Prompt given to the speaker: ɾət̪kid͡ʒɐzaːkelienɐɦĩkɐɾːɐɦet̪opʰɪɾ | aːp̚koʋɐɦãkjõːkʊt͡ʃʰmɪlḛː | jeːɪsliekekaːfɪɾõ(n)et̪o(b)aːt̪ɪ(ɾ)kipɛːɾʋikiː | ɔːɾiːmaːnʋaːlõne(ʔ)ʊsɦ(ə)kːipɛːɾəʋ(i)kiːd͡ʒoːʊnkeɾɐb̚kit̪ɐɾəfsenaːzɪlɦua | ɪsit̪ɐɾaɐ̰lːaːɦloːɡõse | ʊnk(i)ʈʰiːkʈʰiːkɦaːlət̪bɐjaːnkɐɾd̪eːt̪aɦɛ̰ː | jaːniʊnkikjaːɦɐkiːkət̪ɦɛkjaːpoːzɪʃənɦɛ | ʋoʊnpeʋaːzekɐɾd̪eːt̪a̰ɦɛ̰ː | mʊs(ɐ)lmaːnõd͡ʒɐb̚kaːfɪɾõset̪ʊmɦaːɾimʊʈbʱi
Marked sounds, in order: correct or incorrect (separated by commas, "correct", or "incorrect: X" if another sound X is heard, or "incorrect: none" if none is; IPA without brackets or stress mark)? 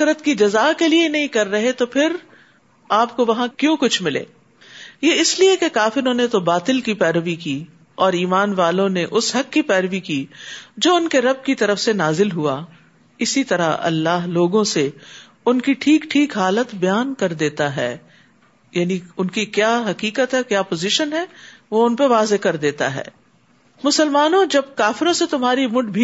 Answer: correct, correct, incorrect: l, correct, incorrect: ɐ, correct, correct, incorrect: ə